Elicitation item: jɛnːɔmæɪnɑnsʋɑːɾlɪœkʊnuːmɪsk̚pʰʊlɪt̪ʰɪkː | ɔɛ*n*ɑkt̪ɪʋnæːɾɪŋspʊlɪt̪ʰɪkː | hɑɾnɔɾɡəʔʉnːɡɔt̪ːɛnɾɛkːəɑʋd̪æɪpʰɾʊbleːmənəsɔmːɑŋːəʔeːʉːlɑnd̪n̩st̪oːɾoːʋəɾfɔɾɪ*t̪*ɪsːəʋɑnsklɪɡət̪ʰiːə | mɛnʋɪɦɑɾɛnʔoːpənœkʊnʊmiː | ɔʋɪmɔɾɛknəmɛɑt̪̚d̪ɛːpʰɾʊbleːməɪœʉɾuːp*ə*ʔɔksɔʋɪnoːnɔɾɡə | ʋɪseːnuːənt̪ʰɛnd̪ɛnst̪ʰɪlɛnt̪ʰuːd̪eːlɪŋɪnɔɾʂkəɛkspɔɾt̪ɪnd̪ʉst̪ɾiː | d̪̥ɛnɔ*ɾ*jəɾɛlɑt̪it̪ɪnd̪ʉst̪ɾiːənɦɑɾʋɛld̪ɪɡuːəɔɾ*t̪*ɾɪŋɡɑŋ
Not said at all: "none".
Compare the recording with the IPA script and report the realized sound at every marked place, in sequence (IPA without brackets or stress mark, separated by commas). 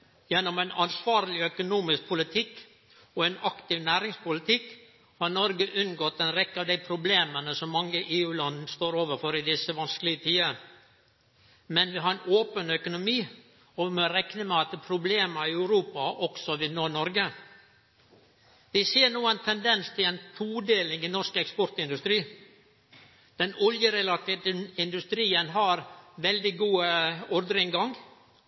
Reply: n, d̪, ɑ, l, d̪